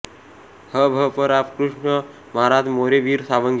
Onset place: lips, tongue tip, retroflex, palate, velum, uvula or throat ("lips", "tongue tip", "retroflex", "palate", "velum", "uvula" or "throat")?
throat